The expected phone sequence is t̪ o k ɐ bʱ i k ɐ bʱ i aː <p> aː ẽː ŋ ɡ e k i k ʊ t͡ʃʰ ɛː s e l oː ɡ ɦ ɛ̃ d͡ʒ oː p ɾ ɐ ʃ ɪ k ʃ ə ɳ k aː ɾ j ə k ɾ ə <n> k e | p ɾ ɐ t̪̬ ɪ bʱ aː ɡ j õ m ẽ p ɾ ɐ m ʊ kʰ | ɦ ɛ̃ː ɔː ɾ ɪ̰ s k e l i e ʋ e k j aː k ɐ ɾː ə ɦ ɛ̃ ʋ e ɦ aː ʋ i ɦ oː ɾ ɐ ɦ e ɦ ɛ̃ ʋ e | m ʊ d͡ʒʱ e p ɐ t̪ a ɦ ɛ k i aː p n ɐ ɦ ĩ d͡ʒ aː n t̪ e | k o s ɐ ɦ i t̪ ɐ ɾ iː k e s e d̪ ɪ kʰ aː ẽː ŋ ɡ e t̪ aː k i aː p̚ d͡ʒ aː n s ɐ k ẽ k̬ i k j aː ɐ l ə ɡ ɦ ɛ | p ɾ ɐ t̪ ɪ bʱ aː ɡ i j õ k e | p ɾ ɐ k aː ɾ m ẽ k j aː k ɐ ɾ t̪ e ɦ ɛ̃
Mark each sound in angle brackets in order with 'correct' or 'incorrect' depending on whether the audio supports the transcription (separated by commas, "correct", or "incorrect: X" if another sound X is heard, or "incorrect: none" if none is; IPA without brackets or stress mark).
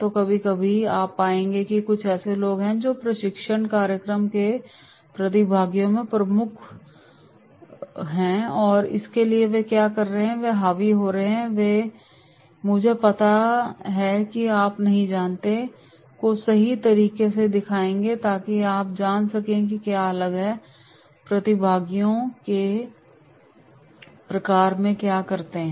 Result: correct, incorrect: m